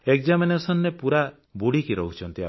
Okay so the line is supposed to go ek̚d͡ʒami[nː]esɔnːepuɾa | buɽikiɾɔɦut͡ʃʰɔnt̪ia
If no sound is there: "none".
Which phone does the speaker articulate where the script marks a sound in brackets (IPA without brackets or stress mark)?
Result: n